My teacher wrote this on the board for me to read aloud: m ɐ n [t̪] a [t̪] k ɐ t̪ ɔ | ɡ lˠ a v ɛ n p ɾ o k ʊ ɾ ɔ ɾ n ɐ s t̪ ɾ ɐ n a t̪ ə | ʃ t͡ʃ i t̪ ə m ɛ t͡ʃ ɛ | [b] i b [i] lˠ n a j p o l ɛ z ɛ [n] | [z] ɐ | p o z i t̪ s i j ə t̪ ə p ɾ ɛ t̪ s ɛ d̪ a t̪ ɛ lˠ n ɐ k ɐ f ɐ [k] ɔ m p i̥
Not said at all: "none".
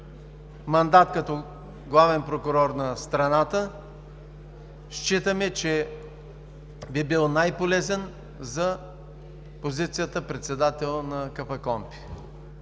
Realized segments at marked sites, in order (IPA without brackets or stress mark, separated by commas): d̪, t̪, b, i, n, z, k